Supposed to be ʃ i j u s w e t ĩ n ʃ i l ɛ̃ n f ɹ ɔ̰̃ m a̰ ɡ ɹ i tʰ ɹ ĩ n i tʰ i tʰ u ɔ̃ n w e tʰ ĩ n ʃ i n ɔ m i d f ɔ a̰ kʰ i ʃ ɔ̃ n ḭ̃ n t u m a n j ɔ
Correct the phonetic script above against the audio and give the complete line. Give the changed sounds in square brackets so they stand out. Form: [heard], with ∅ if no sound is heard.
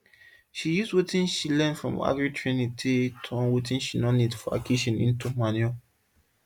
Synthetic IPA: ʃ i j u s w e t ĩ n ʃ i l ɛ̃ n f ɹ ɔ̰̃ m a̰ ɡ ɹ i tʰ ɹ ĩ n i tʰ i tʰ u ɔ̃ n w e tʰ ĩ n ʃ i n ɔ [n] i d f ɔ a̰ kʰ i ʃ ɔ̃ n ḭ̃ n t u m a n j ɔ